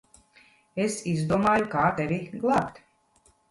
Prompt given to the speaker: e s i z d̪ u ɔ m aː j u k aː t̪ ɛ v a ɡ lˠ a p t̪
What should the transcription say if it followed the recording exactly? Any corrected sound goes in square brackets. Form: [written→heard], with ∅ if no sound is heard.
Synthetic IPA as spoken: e s i z d̪ u ɔ m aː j u k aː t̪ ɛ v [a→i] ɡ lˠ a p t̪